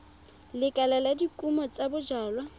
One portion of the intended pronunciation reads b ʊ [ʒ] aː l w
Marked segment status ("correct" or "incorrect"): incorrect